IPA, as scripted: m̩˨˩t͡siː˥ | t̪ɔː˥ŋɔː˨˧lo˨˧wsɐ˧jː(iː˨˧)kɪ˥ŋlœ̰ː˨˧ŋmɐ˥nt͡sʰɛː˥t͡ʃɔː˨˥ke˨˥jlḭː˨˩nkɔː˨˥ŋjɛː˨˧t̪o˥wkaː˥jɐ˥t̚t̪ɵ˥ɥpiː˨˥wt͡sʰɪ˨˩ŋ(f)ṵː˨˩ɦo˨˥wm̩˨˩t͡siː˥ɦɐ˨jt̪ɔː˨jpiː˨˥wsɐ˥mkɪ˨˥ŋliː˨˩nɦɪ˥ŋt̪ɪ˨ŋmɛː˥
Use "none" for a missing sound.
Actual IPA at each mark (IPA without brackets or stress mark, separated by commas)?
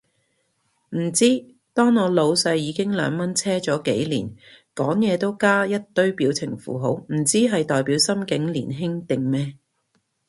iː˨˧, f